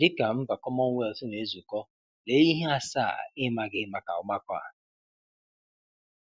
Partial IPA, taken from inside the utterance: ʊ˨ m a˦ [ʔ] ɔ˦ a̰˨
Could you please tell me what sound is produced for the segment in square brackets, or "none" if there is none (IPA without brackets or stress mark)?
k